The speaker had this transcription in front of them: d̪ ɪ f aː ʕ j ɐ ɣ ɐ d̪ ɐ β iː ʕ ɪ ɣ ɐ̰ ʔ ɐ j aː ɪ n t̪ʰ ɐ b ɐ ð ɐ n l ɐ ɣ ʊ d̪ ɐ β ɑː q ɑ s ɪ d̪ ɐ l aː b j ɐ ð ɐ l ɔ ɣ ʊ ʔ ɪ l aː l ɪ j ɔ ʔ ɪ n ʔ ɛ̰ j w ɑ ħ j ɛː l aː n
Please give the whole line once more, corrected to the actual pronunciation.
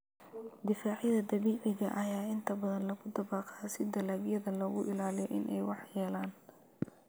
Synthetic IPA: d̪ ɪ f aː ʕ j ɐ ð ɐ d̪ ɐ β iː ʕ ɪ ɣ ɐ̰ ʔ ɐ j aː ɪ n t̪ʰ ɐ b ɐ ð ɐ n l ɐ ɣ ʊ d̪ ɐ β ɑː q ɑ s ɪ d̪ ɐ l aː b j ɐ ð ɐ l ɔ ɣ ʊ ʔ ɪ l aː l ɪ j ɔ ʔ ɪ n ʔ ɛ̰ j w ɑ ħ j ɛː l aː n